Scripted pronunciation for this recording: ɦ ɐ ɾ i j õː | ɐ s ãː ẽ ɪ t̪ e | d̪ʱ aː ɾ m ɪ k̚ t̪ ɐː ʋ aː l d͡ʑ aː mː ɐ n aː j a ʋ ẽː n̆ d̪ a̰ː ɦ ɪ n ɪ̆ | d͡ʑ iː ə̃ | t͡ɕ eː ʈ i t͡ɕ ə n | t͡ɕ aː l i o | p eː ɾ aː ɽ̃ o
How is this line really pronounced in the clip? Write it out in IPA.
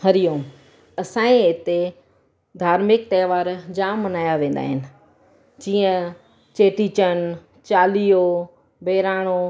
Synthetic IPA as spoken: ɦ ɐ ɾ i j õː | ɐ s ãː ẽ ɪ t̪ e | d̪ʱ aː ɾ m ɪ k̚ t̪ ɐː ʋ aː ɾ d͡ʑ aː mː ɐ n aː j a ʋ ẽː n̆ d̪ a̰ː ɦ ɪ n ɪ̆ | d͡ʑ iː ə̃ | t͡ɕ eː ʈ i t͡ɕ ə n | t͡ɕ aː l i o | b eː ɾ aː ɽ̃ o